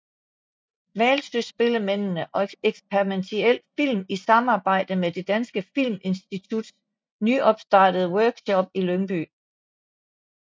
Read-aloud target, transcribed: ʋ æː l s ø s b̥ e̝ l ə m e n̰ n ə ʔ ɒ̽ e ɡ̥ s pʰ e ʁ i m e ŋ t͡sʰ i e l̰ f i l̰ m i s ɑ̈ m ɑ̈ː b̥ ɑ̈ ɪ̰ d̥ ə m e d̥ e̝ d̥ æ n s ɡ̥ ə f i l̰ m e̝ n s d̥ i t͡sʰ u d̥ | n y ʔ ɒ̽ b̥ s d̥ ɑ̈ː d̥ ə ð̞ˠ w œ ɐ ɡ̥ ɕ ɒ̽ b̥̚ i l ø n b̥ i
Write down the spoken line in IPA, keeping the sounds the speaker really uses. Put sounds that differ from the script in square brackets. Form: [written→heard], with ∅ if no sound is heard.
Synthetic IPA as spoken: ʋ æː l s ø s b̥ e̝ l ə m e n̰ n ə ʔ ɒ̽ e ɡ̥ s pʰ e ʁ i m e [ŋ→n] t͡sʰ i e l̰ f i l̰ m i s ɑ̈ m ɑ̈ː b̥ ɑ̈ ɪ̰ d̥ ə m e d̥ e̝ d̥ æ n s ɡ̥ ə f i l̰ m e̝ n s d̥ i t͡sʰ u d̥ | n y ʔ ɒ̽ b̥ s d̥ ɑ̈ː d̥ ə ð̞ˠ w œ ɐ ɡ̥ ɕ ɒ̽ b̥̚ i l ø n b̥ [i→y]